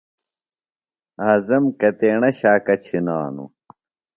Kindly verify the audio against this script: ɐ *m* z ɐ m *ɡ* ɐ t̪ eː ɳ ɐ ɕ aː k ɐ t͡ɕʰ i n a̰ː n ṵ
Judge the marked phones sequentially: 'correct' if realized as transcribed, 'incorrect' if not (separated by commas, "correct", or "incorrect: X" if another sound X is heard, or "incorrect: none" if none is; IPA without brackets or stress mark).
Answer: incorrect: none, incorrect: k